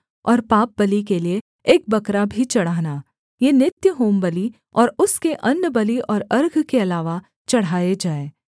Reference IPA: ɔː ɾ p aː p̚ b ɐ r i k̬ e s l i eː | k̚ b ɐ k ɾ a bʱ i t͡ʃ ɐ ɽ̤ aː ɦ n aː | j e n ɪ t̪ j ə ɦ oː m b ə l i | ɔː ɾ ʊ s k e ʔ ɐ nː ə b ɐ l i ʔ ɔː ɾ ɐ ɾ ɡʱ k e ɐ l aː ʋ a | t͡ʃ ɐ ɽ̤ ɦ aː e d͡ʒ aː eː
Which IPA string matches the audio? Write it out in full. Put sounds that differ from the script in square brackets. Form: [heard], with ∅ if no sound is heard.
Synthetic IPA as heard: ɔː ɾ p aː p̚ b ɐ [l] i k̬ e [∅] l i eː | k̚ b ɐ k ɾ a bʱ i t͡ʃ ɐ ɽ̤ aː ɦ n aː | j e n ɪ t̪ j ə ɦ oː m b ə l i | ɔː ɾ ʊ s k e ʔ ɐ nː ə b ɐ l i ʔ ɔː ɾ ɐ ɾ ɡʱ k e ɐ l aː ʋ a | t͡ʃ ɐ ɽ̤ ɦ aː e d͡ʒ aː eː

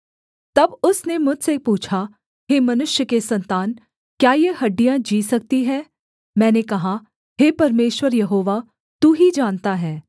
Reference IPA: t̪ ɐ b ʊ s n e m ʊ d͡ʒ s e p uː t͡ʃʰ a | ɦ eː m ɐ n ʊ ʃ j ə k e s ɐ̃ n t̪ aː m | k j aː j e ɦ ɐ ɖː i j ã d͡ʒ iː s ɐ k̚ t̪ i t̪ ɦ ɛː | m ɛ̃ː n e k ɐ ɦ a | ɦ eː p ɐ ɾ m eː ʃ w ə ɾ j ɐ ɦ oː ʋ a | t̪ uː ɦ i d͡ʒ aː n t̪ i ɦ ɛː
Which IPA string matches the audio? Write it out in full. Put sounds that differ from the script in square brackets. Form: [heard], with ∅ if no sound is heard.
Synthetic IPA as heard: t̪ ɐ b ʊ s n e m ʊ d͡ʒ s e p uː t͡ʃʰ a | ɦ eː m ɐ n ʊ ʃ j ə k e s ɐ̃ n t̪ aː [n] | k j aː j e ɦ ɐ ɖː i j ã d͡ʒ iː s ɐ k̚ t̪ i [∅] ɦ ɛː | m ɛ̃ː n e k ɐ ɦ a | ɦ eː p ɐ ɾ m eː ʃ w ə ɾ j ɐ ɦ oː ʋ a | t̪ uː ɦ i d͡ʒ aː n t̪ [a] ɦ ɛː

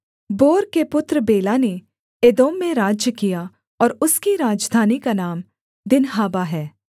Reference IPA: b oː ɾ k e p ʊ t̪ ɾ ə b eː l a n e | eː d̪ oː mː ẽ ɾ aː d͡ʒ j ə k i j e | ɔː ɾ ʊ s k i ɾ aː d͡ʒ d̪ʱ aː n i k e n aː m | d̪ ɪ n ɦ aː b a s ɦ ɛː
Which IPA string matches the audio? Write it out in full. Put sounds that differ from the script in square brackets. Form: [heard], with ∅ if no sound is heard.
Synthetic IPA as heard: b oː ɾ k e p ʊ t̪ ɾ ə b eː l a n e | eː d̪ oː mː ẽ ɾ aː d͡ʒ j ə k i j [a] | ɔː ɾ ʊ s k i ɾ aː d͡ʒ d̪ʱ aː n i k [a] n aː m | d̪ ɪ n ɦ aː b a [∅] ɦ ɛː

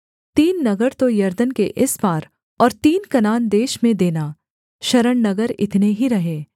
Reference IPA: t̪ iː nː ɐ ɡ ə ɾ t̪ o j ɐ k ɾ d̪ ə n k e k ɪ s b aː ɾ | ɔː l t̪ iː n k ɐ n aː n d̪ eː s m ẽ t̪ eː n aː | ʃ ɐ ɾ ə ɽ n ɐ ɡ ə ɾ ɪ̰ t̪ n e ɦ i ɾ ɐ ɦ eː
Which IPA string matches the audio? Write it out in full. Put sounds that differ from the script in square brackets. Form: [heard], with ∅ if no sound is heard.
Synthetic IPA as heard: t̪ iː nː ɐ ɡ ə ɾ t̪ o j ɐ [∅] ɾ d̪ ə n k e [ʔ] ɪ s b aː ɾ | ɔː [ɾ] t̪ iː n k ɐ n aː n d̪ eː [ʃ] m ẽ [d̪] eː n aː | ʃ ɐ ɾ ə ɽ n ɐ ɡ ə ɾ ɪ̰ t̪ n e ɦ i ɾ ɐ ɦ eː

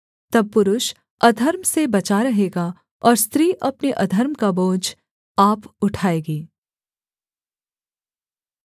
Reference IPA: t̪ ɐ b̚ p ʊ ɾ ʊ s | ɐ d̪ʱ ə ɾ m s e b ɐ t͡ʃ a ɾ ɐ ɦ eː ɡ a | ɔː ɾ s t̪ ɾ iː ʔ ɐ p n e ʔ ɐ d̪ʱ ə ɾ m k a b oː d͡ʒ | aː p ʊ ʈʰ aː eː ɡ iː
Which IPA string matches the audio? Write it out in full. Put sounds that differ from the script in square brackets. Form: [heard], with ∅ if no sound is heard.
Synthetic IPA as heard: t̪ ɐ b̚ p ʊ ɾ ʊ [ʃ] | ɐ d̪ʱ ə ɾ m s e b ɐ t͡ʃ a ɾ ɐ ɦ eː ɡ a | ɔː ɾ s t̪ ɾ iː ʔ ɐ p n e ʔ ɐ d̪ʱ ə ɾ m k a b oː d͡ʒ | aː p ʊ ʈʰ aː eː ɡ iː

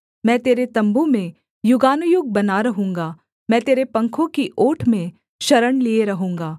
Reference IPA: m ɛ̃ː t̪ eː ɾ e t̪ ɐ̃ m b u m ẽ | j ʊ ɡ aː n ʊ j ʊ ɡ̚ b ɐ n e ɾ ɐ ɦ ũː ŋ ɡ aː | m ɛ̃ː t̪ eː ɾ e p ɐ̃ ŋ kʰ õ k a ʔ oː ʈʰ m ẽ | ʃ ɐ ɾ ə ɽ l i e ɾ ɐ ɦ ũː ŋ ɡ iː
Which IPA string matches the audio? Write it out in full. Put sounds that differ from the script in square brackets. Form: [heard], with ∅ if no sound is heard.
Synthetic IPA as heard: m ɛ̃ː t̪ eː ɾ e t̪ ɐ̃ m b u m ẽ | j ʊ ɡ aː n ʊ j ʊ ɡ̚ b ɐ n [a] ɾ ɐ ɦ ũː ŋ ɡ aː | m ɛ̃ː t̪ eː ɾ e p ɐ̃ ŋ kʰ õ k [i] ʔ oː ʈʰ m ẽ | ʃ ɐ ɾ ə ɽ l i e ɾ ɐ ɦ ũː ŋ ɡ [aː]

